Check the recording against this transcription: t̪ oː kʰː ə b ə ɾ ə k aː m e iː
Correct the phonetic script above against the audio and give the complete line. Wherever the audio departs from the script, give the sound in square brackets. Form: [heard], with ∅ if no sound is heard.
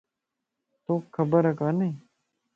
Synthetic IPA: t̪ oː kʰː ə b ə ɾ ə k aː [n] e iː

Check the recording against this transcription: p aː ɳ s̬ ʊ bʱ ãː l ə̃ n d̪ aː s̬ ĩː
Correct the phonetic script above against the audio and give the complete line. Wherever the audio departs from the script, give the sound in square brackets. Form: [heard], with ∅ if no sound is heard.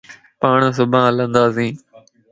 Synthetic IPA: p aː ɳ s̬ ʊ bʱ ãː l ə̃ n d̪ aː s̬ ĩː

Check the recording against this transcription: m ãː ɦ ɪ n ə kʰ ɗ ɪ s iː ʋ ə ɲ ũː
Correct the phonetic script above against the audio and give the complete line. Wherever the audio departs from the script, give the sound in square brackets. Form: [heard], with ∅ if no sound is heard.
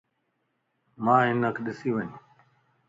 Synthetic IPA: m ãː ɦ ɪ n ə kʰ ɗ ɪ s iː ʋ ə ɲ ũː

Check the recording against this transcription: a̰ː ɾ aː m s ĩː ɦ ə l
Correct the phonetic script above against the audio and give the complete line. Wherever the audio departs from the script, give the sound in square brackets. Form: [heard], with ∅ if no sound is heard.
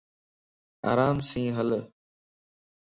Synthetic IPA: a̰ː ɾ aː m s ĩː ɦ ə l

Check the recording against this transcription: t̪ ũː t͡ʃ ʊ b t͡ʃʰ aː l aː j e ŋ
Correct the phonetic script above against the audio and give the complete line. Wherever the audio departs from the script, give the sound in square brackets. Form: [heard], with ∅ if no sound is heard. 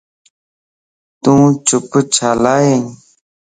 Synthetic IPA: t̪ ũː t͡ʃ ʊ [p] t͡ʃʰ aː l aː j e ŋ

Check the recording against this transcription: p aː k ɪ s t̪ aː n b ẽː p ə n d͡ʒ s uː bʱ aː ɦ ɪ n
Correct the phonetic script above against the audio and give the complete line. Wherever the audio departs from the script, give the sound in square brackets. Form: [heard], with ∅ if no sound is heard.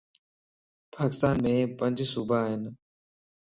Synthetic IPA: p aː k ɪ s t̪ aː n [m] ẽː p ə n d͡ʒ s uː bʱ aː ɦ ɪ n

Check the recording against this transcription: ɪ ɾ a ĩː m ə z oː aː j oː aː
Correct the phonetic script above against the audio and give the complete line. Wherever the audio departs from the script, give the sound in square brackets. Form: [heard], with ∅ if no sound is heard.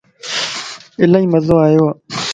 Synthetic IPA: ɪ [l] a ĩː m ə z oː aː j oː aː

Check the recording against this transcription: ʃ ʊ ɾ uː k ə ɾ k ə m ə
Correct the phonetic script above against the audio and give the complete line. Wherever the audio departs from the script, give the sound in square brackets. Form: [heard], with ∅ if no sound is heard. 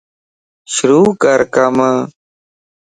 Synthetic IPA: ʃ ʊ ɾ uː k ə ɾ k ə m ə

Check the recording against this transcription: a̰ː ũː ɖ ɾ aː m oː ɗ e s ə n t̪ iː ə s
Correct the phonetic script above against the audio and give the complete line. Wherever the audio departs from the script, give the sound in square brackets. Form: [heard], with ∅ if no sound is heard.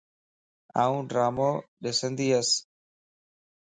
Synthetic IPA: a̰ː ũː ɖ ɾ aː m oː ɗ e s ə n [d̪] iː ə s

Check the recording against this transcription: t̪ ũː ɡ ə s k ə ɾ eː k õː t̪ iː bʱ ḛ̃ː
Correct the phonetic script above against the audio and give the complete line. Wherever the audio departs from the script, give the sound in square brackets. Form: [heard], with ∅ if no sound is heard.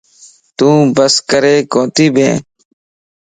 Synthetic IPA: t̪ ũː [b] ə s k ə ɾ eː k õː t̪ iː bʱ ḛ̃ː

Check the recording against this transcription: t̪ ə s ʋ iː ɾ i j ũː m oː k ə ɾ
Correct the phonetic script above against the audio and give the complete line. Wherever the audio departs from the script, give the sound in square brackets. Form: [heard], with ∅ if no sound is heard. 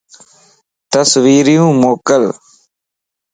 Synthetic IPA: t̪ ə s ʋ iː ɾ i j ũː m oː k ə [l]

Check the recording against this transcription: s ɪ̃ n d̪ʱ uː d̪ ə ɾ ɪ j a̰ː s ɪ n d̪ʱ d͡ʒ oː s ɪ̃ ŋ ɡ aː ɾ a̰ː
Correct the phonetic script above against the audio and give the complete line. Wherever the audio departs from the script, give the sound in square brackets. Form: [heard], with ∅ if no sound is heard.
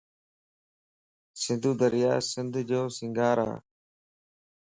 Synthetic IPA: s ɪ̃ n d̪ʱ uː d̪ ə ɾ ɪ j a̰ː s ɪ n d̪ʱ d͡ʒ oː s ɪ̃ ŋ ɡ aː ɾ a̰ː

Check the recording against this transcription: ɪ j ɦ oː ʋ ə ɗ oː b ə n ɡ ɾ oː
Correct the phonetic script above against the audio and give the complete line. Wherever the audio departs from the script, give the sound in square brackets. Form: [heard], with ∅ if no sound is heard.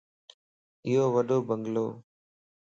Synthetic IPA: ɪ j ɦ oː ʋ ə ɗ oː b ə [ŋ] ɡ [l] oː

